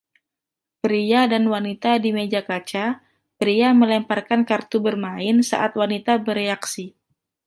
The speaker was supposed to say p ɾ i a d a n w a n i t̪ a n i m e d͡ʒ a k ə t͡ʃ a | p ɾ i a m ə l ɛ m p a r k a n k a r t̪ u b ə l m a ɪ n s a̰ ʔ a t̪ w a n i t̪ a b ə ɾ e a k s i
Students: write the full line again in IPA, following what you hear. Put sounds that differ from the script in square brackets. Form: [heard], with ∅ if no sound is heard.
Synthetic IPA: p ɾ i a d a n w a n i t̪ a [d] i m e d͡ʒ a k [a] t͡ʃ a | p ɾ i a m ə l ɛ m p a r k a n k a r t̪ u b ə [r] m a ɪ n s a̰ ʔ a t̪ w a n i t̪ a b ə ɾ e a k s i